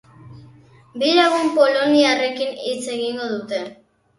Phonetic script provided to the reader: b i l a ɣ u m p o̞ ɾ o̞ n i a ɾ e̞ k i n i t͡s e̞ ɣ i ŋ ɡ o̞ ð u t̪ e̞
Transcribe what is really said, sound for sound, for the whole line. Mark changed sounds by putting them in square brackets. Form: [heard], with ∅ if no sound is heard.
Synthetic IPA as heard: b i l a ɣ u m p o̞ [l] o̞ n i a [r] e̞ k i n i t͡s e̞ ɣ i ŋ ɡ o̞ ð u t̪ e̞

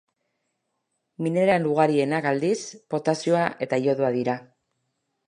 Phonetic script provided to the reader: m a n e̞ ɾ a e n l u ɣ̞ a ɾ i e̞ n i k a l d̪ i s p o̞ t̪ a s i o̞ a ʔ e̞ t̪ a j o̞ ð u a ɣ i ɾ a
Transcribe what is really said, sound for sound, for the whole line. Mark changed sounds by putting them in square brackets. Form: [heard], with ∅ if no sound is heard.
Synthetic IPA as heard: m [i] n e̞ ɾ a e n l u ɣ̞ a ɾ i e̞ n [a] k a l d̪ i s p o̞ t̪ a s i o̞ a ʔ e̞ t̪ a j o̞ ð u a [ð] i ɾ a

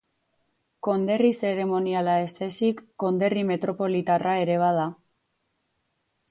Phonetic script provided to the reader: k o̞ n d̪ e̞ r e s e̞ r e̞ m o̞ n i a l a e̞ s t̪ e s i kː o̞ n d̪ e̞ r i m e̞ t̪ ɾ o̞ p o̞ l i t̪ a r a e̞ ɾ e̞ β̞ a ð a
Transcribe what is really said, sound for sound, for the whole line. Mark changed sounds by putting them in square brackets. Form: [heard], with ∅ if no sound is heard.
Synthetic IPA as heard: k o̞ n d̪ e̞ r [i] s e̞ [ɾ] e̞ m o̞ n i a l a e̞ s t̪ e s i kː o̞ n d̪ e̞ r i m e̞ t̪ ɾ o̞ p o̞ l i t̪ a r a e̞ ɾ e̞ β̞ a ð a

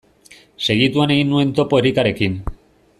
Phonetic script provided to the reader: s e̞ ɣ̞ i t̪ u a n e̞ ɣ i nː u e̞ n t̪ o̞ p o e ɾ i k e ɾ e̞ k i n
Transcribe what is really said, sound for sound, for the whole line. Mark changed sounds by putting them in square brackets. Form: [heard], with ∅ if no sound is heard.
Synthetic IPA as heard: s e̞ ɣ̞ i t̪ u a n e̞ ɣ i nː u e̞ n t̪ o̞ p o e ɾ i k [a] ɾ e̞ k i n

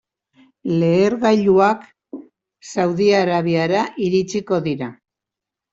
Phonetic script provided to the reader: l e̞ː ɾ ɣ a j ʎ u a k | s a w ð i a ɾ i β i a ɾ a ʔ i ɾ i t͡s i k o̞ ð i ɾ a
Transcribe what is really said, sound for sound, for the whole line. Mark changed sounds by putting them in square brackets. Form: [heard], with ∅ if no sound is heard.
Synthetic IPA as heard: l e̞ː ɾ ɣ a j ʎ u a k | s a w ð i a ɾ [a] β i a ɾ a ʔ i ɾ i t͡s i k o̞ ð i ɾ a

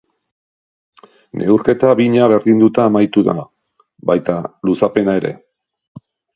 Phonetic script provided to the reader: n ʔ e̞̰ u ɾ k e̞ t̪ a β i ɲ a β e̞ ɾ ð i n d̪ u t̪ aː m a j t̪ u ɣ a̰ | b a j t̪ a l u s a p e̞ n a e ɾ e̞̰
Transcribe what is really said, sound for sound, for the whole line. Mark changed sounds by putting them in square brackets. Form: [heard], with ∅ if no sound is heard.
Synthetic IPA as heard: n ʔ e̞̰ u ɾ k e̞ t̪ a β i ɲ a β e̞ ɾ ð i n d̪ u t̪ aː m a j t̪ u [ð] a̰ | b a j t̪ a l u s a p e̞ n a e ɾ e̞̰

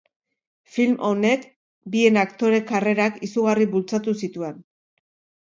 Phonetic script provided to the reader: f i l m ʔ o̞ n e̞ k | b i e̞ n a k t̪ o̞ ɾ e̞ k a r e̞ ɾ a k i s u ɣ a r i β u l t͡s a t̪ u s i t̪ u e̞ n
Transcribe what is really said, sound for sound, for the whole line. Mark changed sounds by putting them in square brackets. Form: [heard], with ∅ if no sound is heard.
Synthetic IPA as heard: f i l m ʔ o̞ n e̞ k | b i e̞ n a k t̪ o̞ ɾ e̞ k a r e̞ ɾ a k i s u ɣ a r i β u l t͡s a t̪ u s i t̪ u e̞ n

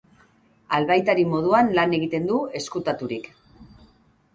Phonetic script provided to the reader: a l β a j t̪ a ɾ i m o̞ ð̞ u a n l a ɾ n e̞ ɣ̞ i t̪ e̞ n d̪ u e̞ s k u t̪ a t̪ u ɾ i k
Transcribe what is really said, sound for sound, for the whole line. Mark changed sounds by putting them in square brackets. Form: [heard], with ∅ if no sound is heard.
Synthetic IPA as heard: a l β a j t̪ a ɾ i m o̞ ð̞ u a n l a [∅] n e̞ ɣ̞ i t̪ e̞ n d̪ u e̞ s k u t̪ a t̪ u ɾ i k

